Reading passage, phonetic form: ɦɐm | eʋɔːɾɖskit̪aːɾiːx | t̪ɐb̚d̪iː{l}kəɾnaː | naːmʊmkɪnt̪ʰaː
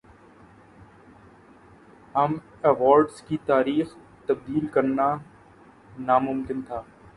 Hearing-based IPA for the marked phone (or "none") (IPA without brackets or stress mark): l